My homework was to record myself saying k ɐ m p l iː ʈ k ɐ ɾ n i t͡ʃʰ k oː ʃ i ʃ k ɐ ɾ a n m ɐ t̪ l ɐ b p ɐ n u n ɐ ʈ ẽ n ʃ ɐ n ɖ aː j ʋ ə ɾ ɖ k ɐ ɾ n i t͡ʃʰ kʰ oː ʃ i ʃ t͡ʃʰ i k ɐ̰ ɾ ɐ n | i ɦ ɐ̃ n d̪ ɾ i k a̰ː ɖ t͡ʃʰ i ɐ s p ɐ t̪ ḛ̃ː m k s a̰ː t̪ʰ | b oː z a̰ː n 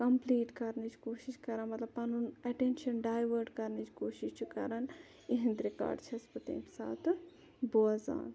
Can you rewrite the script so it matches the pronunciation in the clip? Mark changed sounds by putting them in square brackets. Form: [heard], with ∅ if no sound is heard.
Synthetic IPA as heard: k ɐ m p l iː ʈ k ɐ ɾ n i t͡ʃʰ k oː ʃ i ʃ k ɐ ɾ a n m ɐ t̪ l ɐ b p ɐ n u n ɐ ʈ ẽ n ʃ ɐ n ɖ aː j ʋ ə ɾ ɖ k ɐ ɾ n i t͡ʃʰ [k] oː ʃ i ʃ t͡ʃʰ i k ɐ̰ ɾ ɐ n | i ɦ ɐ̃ n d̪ ɾ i k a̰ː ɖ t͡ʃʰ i ɐ s p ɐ t̪ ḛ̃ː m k s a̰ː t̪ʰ | b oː z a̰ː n